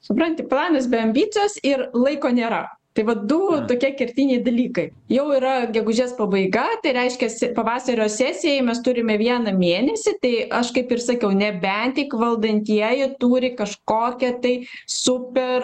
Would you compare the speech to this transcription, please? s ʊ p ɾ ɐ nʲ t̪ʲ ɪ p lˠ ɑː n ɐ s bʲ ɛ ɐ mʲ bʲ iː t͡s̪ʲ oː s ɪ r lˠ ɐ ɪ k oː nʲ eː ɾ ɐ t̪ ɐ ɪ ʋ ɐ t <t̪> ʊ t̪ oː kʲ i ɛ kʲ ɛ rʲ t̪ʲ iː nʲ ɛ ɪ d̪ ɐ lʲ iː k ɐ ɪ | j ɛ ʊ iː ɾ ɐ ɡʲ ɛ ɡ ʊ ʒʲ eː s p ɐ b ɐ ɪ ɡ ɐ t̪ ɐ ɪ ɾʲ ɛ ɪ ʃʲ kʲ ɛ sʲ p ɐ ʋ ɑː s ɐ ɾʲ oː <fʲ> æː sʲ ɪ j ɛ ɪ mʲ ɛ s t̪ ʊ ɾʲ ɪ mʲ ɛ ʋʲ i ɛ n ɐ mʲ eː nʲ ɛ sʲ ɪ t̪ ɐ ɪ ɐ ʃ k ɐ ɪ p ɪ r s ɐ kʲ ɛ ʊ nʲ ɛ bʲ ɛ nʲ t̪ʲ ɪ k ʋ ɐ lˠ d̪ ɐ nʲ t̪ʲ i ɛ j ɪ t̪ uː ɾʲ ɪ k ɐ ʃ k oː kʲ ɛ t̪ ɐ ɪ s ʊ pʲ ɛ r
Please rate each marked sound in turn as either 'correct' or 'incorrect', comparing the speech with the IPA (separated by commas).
incorrect, incorrect